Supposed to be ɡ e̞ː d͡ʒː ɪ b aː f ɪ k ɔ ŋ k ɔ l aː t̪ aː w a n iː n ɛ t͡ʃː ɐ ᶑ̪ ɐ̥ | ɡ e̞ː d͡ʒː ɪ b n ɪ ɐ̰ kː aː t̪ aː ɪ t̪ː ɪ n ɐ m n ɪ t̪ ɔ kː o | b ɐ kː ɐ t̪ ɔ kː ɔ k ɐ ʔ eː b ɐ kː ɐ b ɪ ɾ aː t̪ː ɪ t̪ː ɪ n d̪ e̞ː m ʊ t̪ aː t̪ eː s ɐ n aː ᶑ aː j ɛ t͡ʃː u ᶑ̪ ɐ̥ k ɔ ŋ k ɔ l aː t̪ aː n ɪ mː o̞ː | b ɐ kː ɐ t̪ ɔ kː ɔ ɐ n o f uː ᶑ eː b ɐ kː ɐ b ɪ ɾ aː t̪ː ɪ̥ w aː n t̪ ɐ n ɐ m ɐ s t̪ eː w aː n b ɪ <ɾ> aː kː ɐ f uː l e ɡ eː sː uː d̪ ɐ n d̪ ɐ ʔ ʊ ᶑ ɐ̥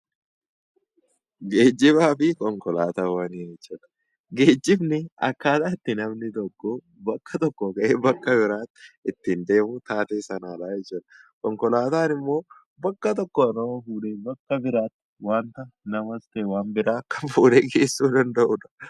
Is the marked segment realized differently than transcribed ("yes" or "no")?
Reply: no